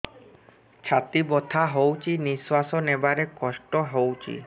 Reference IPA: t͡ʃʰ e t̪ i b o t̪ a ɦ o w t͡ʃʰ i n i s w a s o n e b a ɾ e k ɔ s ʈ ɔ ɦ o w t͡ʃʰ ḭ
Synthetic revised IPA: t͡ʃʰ a t̪ i b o t̪ʰ a ɦ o w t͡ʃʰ i n i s w a s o n e b a ɾ e k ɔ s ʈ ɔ ɦ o w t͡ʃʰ ḭ